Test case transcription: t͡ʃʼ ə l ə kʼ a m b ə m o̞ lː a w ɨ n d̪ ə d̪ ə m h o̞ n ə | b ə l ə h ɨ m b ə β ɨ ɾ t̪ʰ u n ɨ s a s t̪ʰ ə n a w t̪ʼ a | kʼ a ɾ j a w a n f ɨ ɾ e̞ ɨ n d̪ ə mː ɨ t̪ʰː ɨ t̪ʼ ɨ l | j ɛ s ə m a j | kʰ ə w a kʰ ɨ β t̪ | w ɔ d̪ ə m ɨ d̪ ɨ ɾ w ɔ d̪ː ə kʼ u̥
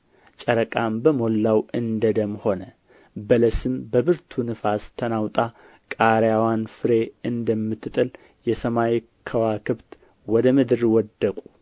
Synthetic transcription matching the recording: t͡ʃʼ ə ɾ ə kʼ a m b ə m o̞ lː a w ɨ n d̪ ə d̪ ə m h o̞ n ə | b ə l ə s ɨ m b ə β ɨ ɾ t̪ʰ u n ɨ f a s t̪ʰ ə n a w t̪ʼ a | kʼ a ɾ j a w a n f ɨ ɾ e̞ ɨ n d̪ ə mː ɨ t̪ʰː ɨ t̪ʼ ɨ l | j ɛ s ə m a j | kʰ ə w a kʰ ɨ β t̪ | w ɔ d̪ ə m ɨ d̪ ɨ ɾ w ɔ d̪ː ə kʼ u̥